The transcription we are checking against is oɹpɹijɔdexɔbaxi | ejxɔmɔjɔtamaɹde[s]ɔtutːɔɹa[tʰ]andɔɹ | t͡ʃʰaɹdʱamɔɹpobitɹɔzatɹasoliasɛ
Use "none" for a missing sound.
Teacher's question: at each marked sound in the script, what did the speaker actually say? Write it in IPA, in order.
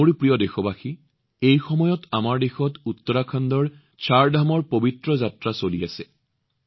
x, kʰ

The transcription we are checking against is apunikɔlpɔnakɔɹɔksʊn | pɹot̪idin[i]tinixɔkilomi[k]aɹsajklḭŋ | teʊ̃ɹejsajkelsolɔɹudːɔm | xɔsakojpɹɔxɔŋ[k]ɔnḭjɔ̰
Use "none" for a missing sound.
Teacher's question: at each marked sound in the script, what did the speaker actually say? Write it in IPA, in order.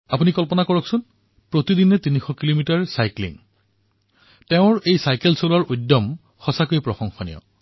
ɛ, t, x

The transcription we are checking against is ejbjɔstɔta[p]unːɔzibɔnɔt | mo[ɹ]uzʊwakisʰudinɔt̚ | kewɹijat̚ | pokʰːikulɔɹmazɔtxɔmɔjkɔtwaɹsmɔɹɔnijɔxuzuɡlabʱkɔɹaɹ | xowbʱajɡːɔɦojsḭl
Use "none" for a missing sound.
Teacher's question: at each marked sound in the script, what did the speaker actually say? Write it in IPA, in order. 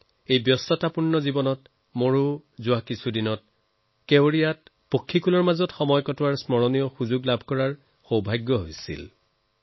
p, ɹ

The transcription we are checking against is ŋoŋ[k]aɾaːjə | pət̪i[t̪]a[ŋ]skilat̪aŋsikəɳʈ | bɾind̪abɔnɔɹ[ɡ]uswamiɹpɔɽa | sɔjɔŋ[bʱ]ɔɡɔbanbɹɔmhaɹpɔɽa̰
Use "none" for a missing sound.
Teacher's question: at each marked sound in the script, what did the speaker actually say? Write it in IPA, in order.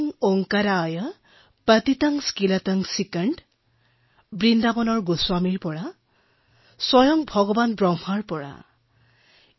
k, t̪, ŋ, ɡ, bʱ

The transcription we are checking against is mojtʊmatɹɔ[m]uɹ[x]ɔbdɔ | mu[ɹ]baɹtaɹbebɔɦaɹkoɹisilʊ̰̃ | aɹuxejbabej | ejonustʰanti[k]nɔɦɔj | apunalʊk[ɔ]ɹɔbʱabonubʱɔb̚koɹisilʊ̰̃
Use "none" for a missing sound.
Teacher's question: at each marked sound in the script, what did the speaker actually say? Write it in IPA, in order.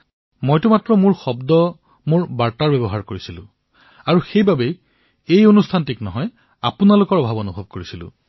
m, x, ɹ, k, ɔ

